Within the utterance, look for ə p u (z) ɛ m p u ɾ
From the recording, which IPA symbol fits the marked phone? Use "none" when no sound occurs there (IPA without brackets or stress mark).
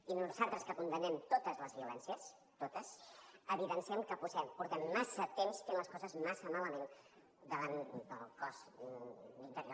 z